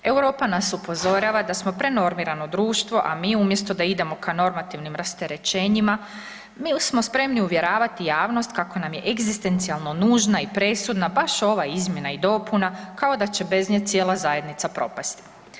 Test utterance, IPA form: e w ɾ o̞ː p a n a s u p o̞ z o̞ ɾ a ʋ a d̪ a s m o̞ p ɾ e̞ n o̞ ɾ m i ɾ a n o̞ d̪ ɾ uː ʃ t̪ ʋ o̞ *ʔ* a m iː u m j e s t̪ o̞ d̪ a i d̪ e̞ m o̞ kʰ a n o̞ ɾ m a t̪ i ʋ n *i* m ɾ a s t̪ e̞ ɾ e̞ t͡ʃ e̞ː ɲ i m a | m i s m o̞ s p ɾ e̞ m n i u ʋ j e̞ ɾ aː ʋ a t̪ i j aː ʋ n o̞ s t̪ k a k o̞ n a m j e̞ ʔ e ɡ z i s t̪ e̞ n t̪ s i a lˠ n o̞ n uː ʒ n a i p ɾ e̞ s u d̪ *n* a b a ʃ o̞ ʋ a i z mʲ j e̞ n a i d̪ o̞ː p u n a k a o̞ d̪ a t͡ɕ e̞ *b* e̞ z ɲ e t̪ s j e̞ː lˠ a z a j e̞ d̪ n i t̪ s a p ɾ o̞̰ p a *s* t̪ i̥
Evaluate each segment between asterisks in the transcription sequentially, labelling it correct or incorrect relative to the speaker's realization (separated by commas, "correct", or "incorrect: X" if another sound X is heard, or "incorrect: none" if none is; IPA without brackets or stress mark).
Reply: correct, correct, correct, correct, correct